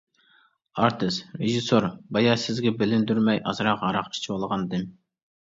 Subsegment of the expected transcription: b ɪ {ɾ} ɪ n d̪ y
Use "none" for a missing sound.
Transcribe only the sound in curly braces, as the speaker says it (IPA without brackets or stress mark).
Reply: l